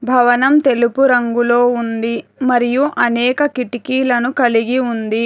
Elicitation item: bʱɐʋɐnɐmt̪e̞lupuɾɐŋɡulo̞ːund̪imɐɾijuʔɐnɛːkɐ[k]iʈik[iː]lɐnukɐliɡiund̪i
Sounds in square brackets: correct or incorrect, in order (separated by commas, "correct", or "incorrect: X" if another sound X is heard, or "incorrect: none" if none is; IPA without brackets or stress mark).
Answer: correct, correct